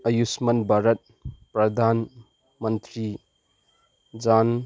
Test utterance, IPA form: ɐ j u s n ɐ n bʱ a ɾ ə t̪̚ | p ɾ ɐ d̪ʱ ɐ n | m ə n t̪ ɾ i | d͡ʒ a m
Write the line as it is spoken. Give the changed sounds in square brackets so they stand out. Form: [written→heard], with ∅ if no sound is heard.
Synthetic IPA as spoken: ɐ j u s [n→m] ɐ n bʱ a ɾ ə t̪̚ | p ɾ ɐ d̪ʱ [ɐ→a] n | m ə n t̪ ɾ i | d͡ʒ a [m→n]